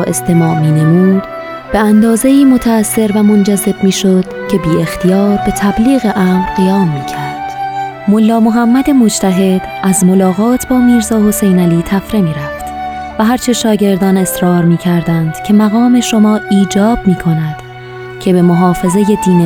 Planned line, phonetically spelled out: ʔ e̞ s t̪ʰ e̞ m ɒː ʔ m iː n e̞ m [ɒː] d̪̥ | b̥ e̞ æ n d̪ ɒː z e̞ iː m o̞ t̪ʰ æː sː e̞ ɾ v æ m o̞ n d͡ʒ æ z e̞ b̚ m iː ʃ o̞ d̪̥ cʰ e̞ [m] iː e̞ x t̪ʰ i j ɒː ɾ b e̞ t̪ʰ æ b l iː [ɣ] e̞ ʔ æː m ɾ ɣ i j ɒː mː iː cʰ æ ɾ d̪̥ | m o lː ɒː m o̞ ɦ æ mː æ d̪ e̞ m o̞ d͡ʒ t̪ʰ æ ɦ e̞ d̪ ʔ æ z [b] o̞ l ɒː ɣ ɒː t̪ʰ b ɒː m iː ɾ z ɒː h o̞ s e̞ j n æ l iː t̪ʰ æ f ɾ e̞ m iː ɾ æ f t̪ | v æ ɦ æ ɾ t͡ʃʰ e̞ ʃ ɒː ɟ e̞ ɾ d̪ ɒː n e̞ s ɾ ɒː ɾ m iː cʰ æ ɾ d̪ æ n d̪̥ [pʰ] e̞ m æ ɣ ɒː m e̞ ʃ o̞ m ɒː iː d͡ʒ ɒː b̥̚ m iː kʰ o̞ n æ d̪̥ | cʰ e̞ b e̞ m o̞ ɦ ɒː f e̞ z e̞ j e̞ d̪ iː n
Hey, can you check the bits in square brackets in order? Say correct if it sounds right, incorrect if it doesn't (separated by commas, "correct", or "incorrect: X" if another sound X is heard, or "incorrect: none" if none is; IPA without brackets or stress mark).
incorrect: uː, incorrect: b, correct, incorrect: m, incorrect: cʰ